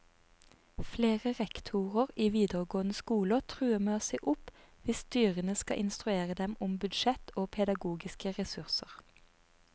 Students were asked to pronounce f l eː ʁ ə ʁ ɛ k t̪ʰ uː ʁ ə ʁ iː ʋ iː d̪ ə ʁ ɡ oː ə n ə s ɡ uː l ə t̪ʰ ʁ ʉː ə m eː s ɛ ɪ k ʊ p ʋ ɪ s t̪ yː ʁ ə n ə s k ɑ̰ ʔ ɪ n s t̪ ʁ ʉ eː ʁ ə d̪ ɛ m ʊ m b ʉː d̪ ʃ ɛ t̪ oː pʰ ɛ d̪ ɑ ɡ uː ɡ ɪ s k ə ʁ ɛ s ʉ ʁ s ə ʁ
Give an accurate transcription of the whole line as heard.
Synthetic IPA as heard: f l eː ʁ ə ʁ ɛ k t̪ʰ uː ʁ ə ʁ iː ʋ iː d̪ ə ʁ ɡ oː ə n ə s k uː l ə t̪ʰ ʁ ʉː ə m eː s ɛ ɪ ʔ ʊ p ʋ ɪ s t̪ yː ʁ ə n ə s k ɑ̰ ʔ ɪ n s t̪ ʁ ʉ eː ʁ ə d̪ ɛ m ʊ m b ʉ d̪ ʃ ɛ t̪ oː pʰ ɛ d̪ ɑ ɡ uː ɡ ɪ s k ə ʁ ɛ s ʉ ʁ s ə ʁ